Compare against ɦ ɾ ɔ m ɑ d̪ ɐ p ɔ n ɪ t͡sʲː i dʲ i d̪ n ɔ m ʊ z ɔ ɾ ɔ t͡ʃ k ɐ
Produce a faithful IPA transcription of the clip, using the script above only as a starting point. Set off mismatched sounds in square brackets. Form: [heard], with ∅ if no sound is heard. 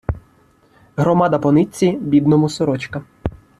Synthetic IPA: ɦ ɾ ɔ m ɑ d̪ ɐ p ɔ n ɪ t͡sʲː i [bʲ] i d̪ n ɔ m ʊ [s] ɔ ɾ ɔ t͡ʃ k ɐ